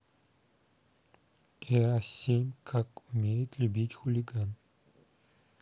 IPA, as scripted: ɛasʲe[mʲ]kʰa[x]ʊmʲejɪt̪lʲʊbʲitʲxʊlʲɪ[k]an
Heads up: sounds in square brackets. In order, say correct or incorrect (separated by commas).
correct, incorrect, incorrect